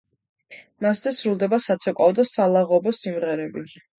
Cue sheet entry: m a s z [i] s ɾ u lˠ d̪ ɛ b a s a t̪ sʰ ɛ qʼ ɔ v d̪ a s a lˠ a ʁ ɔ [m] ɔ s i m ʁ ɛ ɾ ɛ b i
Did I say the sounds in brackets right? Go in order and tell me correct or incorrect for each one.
incorrect, incorrect

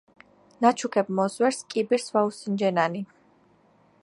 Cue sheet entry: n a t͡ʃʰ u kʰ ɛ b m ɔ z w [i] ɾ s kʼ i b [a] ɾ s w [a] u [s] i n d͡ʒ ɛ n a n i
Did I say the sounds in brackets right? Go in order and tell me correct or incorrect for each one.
incorrect, incorrect, correct, correct

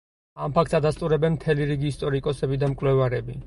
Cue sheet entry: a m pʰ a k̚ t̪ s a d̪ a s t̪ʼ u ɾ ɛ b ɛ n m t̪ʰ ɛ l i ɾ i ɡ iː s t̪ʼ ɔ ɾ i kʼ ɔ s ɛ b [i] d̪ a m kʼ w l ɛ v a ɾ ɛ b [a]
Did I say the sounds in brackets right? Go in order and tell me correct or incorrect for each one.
correct, incorrect

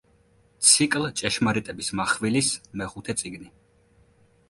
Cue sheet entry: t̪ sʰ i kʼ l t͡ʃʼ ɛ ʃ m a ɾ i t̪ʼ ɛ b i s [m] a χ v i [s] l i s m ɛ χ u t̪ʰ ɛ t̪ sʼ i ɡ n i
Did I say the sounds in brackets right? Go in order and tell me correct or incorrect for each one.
correct, incorrect

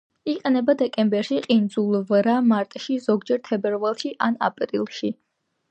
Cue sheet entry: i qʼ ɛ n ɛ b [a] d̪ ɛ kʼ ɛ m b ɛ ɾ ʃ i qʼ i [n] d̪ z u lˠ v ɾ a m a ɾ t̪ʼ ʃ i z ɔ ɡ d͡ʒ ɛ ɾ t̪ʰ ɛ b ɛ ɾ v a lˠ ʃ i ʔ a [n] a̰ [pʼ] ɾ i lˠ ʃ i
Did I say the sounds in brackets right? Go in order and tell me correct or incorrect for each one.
correct, correct, correct, correct

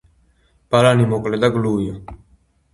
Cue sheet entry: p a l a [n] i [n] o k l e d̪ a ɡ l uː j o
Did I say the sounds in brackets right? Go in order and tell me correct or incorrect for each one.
correct, incorrect

